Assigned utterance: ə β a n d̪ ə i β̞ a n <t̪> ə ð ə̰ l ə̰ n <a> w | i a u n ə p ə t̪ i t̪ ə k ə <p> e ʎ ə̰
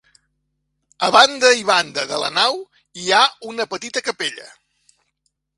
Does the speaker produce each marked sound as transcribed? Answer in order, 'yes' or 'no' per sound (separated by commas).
no, yes, yes